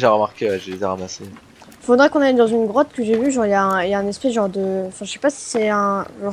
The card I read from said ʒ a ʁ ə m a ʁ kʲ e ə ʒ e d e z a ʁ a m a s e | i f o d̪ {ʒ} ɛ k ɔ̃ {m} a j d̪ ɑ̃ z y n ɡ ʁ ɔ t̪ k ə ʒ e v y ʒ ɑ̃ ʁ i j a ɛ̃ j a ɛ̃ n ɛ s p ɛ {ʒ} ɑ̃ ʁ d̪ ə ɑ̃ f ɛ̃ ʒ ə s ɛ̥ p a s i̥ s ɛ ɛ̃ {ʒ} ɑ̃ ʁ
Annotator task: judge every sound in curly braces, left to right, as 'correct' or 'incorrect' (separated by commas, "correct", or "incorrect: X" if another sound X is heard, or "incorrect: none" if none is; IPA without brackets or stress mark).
incorrect: ʁ, incorrect: n, correct, correct